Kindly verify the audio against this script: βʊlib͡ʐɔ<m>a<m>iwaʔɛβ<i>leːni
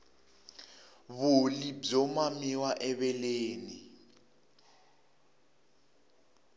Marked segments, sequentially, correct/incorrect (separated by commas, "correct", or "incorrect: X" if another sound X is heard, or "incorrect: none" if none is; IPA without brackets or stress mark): correct, correct, incorrect: ɛ